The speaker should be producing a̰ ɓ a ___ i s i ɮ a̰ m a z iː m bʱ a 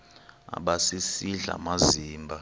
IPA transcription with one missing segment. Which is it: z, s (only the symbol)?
s